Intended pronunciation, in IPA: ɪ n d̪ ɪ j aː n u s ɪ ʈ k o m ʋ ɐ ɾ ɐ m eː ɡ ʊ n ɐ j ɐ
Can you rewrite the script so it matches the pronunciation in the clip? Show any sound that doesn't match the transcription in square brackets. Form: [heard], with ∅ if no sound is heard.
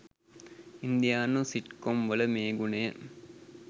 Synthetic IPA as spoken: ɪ n d̪ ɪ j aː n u s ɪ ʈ k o m ʋ ɐ [l] ɐ m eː ɡ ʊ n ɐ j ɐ

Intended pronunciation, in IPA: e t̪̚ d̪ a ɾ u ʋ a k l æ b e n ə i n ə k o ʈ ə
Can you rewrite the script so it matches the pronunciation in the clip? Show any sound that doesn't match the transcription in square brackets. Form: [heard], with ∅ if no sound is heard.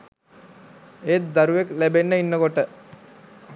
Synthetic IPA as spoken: e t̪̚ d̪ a ɾ u ʋ [e] k l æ b e [nː] ə i [nː] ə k o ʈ ə

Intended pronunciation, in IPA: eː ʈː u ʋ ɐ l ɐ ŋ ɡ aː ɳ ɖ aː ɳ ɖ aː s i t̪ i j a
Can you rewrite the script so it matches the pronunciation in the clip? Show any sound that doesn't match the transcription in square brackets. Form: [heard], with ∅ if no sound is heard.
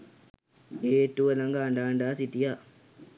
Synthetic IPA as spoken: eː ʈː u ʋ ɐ l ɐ ŋ ɡ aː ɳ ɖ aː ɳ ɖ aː s i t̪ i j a

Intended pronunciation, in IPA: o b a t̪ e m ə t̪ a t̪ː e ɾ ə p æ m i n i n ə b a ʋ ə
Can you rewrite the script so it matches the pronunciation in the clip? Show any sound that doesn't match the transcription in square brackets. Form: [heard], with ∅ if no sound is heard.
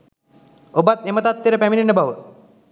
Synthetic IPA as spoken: o b a t̪ e m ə t̪ a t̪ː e ɾ ə p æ m i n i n ə b a ʋ ə

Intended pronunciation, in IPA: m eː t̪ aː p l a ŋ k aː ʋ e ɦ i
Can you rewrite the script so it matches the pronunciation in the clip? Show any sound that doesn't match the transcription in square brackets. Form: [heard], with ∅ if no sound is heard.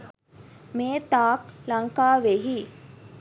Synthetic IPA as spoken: m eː t̪ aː [k] l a ŋ k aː ʋ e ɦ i

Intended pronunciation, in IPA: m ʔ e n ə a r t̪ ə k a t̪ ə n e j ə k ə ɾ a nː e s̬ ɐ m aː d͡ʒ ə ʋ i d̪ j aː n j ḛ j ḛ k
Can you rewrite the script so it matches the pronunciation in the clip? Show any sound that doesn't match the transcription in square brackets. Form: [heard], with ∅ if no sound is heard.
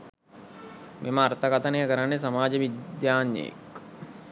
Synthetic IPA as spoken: m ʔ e [m] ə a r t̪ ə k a t̪ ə n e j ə k ə ɾ a nː e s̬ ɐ m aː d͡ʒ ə ʋ i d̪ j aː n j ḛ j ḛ k

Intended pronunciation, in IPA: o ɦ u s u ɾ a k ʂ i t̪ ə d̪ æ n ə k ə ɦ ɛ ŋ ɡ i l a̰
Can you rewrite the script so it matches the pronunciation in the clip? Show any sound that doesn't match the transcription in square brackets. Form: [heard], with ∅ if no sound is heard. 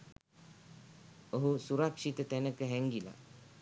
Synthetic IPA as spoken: o ɦ u s u ɾ a k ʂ i t̪ ə [t̪] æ n ə k ə ɦ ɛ ŋ ɡ i l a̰

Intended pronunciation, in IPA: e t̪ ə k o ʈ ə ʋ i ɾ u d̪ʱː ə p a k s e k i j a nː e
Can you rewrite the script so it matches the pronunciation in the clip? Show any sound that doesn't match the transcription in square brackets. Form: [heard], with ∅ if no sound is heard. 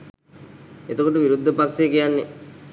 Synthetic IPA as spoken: e t̪ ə k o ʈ ə ʋ i ɾ u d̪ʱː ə p a k s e k i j a nː e

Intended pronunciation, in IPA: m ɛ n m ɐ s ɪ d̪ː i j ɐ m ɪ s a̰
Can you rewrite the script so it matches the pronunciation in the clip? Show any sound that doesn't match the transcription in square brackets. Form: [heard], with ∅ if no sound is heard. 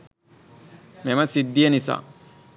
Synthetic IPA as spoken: m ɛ [∅] m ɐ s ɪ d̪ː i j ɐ [n] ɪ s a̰

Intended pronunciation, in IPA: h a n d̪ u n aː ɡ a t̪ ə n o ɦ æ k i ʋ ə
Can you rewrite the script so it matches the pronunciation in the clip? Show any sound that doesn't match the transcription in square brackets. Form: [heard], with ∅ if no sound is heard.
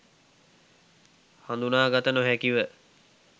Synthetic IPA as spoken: h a n d̪ u n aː ɡ a t̪ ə n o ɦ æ k i ʋ ə

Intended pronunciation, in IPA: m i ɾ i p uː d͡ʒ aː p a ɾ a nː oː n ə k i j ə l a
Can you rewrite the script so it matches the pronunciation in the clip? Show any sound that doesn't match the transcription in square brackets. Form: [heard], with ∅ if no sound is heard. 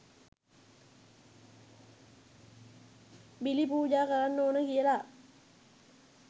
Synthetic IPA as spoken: [b] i [l] i p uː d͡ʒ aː [k] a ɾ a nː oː n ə k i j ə l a

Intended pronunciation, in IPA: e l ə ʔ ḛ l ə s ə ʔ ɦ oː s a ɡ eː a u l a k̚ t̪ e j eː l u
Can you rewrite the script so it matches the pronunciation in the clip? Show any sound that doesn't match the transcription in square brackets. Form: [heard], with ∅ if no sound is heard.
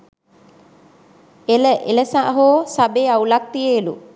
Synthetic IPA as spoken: e l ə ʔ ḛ l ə s [a] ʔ ɦ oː s a [b] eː a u l a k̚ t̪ [i] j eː l u

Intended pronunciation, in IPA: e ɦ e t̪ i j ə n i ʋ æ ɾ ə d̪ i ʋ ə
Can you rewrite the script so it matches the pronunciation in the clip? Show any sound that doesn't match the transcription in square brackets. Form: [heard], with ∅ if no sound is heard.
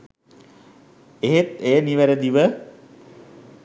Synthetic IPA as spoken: e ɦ e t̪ [e] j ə n i ʋ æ ɾ ə d̪ i ʋ ə

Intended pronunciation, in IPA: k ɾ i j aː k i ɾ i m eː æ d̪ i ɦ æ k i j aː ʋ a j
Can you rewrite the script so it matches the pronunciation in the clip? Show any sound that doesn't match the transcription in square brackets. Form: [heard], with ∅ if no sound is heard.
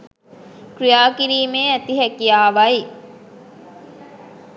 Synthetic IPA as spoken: k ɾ i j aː k i ɾ [iː] m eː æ [t̪] i ɦ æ k i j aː ʋ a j

